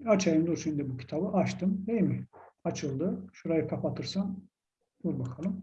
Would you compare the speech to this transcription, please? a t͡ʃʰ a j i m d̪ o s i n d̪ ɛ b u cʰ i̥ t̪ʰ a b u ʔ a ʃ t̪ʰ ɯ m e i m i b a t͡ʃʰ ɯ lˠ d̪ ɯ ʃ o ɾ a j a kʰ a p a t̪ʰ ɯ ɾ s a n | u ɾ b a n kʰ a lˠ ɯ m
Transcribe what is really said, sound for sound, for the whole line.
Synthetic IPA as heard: a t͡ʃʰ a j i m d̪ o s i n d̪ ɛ b u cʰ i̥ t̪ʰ a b ɯ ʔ a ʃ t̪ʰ ɯ m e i m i a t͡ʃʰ ɯ lˠ d̪ ɯ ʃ u ɾ a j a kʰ a p a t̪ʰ ɯ ɾ s a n | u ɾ b a kʰ a lˠ ɯ m